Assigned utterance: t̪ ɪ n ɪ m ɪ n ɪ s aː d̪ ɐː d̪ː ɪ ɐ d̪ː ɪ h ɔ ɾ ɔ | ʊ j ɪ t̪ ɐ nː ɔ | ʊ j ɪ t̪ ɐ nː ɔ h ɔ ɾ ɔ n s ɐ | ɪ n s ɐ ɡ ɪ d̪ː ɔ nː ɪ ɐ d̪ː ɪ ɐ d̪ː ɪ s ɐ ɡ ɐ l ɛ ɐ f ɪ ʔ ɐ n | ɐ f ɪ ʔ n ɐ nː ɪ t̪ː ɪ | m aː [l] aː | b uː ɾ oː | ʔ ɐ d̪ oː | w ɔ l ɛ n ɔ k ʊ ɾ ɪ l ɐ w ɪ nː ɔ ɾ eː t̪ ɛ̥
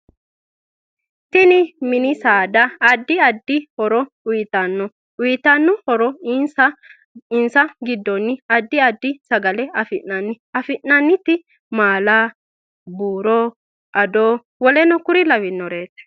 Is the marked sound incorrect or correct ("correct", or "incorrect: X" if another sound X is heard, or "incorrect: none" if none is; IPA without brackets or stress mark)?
correct